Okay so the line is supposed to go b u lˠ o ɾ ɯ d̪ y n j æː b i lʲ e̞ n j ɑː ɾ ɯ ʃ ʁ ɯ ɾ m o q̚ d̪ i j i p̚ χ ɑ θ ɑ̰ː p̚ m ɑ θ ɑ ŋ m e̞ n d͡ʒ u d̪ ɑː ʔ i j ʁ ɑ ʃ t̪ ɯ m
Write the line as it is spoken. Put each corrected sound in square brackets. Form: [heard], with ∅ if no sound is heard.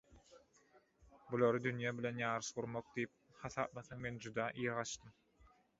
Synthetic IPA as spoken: b u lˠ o ɾ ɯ d̪ y n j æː b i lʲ e̞ n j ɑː ɾ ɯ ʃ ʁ [u] ɾ m o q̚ d̪ i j i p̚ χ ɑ θ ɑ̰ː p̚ m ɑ θ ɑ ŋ m e̞ n d͡ʒ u d̪ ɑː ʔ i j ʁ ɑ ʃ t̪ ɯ m